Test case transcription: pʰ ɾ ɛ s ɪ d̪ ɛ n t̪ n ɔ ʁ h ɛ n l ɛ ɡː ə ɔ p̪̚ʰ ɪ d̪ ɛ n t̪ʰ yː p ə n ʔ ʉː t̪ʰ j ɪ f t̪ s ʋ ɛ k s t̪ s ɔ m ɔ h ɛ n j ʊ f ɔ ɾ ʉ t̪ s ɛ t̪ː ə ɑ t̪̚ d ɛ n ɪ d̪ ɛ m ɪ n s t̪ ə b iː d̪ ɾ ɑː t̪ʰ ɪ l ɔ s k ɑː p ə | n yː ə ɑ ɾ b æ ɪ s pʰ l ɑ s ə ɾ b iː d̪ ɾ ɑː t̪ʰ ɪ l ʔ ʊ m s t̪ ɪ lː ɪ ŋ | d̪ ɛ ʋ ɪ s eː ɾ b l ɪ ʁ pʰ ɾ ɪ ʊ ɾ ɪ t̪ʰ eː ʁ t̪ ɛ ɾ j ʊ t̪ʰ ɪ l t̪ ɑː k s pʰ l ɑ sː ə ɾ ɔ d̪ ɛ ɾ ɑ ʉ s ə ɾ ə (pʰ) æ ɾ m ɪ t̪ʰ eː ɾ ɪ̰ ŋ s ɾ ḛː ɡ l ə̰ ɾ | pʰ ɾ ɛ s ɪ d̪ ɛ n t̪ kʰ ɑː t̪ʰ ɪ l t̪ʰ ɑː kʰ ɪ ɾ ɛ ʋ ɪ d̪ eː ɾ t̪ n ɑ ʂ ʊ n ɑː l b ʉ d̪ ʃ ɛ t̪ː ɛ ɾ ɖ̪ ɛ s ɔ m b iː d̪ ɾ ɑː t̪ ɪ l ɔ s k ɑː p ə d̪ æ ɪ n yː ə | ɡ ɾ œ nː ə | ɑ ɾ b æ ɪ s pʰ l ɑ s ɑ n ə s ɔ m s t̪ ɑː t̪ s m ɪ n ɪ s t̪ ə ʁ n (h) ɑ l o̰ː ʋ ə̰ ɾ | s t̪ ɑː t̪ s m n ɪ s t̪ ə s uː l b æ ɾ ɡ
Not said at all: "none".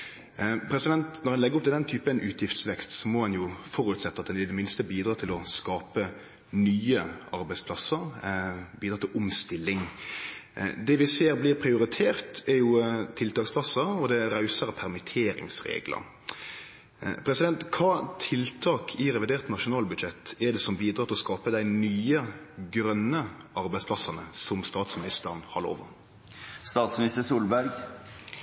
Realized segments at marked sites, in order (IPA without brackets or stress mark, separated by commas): pʰ, h